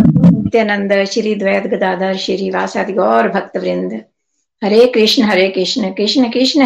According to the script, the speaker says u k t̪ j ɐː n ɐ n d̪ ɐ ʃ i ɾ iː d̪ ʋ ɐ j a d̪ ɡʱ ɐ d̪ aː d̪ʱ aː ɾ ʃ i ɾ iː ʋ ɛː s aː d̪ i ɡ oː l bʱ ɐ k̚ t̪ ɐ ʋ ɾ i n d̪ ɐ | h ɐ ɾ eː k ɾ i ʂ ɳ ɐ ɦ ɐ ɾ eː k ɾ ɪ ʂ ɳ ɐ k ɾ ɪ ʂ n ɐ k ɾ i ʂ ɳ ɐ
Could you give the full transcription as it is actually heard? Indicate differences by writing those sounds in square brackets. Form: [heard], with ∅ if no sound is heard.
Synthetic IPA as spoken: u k t̪ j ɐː n ɐ n d̪ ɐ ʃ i ɾ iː d̪ ʋ ɐ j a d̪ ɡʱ ɐ d̪ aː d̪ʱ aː ɾ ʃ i ɾ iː ʋ [aː] s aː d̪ i ɡ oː [ɾ] bʱ ɐ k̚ t̪ ɐ ʋ ɾ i n d̪ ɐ | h ɐ ɾ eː k ɾ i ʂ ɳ ɐ ɦ ɐ ɾ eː k ɾ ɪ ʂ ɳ ɐ k ɾ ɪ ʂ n ɐ k ɾ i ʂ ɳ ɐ